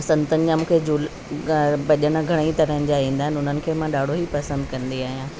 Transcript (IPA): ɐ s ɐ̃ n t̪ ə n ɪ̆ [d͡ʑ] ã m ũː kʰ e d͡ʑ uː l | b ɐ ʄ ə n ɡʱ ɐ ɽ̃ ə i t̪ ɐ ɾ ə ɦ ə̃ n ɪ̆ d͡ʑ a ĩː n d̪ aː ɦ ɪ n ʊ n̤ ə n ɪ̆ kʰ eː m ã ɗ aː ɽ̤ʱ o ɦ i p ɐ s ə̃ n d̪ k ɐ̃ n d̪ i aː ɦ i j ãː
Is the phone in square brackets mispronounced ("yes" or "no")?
no